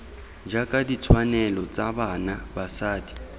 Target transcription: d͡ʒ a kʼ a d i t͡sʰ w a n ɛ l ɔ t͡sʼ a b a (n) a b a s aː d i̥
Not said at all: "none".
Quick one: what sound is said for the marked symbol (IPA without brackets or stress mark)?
n